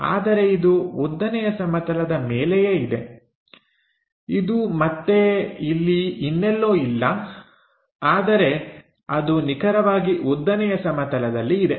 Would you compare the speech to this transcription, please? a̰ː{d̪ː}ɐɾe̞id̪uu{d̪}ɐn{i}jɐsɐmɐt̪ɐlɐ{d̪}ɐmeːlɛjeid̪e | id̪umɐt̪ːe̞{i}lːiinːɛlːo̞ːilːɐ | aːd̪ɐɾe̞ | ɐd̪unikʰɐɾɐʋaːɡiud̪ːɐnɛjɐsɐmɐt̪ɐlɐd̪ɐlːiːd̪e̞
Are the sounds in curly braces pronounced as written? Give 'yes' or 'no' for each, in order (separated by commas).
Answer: no, no, no, yes, yes